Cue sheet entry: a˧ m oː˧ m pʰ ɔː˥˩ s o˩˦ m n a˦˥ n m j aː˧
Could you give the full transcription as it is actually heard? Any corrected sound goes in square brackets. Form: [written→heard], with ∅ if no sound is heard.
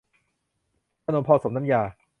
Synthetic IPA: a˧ [m→n] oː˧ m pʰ [ɔː˥˩→ɔː˧] s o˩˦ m n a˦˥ [n→∅] m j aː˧

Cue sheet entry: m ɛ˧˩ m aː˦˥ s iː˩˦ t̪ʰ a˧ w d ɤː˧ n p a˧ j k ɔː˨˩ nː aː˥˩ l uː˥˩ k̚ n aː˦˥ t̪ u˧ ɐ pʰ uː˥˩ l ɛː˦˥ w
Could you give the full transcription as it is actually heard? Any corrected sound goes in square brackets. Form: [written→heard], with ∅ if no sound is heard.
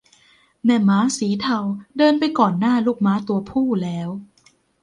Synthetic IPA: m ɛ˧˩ m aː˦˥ s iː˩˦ t̪ʰ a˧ w d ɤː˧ n p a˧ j k ɔː˨˩ nː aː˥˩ l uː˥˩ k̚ [n→m] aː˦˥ t̪ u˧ ɐ pʰ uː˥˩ l ɛː˦˥ w

